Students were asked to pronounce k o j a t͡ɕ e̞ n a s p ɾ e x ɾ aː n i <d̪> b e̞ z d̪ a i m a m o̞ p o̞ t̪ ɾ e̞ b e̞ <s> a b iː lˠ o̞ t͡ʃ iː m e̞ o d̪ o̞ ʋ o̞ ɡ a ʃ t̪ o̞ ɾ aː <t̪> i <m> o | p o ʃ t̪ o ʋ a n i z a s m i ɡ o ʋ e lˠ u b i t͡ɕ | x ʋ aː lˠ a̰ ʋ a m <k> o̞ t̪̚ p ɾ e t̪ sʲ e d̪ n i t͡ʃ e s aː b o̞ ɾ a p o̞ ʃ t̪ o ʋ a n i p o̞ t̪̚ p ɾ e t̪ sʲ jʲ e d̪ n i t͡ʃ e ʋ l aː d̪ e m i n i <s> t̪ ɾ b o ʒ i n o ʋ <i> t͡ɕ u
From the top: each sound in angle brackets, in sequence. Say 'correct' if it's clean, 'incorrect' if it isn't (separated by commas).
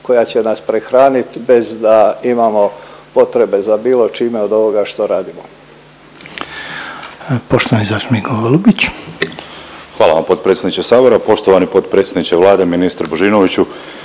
incorrect, incorrect, incorrect, correct, incorrect, correct, correct